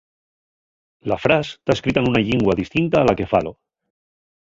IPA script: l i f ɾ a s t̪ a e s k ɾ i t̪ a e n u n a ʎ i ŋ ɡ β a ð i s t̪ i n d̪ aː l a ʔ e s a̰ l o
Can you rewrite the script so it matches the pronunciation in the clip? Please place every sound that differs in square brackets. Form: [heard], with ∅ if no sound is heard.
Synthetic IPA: l [a] f ɾ a s t̪ a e s k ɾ i t̪ a e n u n a ʎ i ŋ ɡ [w] a ð i s t̪ i n [t̪] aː l a [k] e [f] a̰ l o